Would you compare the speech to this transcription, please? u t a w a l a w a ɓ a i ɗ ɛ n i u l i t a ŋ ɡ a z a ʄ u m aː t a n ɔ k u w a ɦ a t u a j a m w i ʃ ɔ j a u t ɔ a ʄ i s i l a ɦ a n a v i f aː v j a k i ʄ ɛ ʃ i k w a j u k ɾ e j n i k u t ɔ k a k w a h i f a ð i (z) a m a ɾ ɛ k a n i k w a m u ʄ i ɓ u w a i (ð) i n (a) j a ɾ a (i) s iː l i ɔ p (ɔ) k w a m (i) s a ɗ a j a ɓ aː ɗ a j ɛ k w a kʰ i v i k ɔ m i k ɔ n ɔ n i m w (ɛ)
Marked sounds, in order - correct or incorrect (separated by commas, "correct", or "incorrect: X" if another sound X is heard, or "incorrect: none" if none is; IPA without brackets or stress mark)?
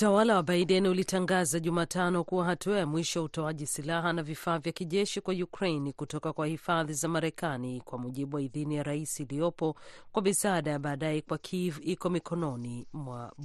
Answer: correct, correct, incorrect: i, correct, correct, correct, incorrect: a